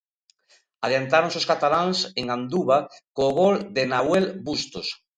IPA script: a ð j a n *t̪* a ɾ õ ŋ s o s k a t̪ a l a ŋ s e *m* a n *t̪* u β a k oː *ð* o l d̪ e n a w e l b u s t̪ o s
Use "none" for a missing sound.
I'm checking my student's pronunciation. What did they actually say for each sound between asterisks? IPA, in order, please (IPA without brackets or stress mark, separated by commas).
t̪, ŋ, d̪, ɣ